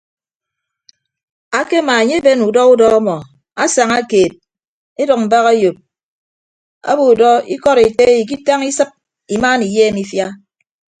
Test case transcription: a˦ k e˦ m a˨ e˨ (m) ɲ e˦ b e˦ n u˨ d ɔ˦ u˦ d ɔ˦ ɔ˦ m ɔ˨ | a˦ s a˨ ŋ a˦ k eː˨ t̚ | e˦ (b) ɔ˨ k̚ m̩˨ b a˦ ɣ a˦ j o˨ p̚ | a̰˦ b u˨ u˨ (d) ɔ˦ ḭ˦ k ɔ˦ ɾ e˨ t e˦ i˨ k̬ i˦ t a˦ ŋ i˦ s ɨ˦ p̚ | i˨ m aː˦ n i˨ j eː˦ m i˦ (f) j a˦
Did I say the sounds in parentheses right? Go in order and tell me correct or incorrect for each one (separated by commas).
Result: incorrect, incorrect, correct, correct